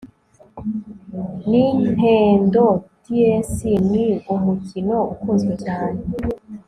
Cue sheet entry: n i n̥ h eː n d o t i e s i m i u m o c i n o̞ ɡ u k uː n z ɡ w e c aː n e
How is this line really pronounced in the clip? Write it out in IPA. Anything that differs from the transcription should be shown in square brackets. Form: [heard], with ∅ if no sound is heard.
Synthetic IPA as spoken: n i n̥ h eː n d o t i e s i [n] i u m [u] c i n o̞ [∅] u k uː n z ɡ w e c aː n e